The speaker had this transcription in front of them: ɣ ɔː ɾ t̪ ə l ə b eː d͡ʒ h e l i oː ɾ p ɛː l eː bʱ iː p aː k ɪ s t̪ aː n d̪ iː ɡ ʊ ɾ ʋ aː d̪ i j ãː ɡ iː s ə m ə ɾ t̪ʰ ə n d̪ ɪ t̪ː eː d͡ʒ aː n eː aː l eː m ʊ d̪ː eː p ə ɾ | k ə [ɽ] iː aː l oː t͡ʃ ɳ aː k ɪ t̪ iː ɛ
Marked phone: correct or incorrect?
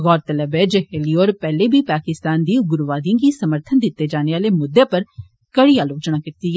correct